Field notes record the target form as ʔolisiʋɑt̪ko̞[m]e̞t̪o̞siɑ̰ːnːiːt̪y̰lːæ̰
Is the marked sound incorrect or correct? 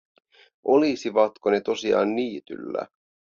incorrect: n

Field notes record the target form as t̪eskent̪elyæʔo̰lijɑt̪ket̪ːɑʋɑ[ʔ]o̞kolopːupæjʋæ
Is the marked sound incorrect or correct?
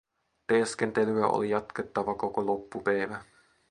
incorrect: k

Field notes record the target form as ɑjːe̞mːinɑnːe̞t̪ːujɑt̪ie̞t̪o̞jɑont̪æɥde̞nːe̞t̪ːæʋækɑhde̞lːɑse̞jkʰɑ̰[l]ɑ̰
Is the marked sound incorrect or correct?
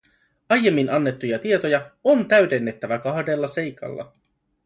incorrect: lː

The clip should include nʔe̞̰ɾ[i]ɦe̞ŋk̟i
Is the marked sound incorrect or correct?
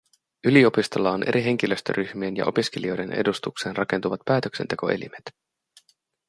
correct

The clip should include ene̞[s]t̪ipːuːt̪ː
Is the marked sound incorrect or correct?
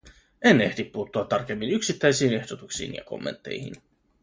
incorrect: h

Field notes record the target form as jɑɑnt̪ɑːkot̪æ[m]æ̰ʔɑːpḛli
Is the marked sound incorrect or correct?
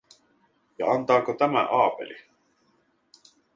correct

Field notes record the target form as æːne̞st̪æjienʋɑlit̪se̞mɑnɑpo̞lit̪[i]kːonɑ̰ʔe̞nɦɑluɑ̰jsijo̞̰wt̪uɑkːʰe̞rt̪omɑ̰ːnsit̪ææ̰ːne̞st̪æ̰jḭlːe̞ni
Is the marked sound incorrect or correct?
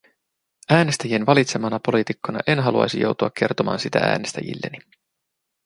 correct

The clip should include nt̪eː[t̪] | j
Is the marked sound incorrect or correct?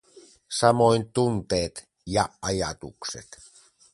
correct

